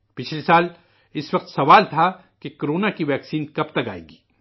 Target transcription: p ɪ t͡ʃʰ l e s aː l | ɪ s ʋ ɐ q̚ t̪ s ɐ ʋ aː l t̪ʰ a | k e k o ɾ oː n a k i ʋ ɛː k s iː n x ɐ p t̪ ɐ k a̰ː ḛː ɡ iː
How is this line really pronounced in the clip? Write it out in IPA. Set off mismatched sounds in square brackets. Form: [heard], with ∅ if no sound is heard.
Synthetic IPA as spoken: p ɪ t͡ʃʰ l e s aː l | ɪ s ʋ ɐ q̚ t̪ s ɐ ʋ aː l t̪ʰ a | k e k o ɾ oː n a k i ʋ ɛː k s iː n [k] ɐ p t̪ ɐ k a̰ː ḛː ɡ iː